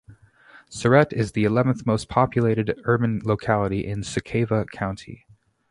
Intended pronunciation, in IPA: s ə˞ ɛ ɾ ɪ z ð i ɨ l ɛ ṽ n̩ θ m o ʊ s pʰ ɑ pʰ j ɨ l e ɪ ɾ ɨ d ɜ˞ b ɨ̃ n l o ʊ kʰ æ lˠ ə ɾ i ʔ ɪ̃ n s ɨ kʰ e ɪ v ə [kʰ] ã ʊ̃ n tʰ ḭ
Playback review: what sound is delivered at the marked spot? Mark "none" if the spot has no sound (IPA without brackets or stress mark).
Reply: kʰ